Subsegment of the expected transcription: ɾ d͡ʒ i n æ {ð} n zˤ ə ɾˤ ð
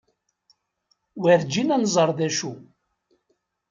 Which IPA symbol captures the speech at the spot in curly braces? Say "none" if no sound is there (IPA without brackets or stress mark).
none